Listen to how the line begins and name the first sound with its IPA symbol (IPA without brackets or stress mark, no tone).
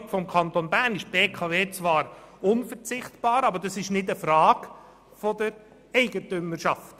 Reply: f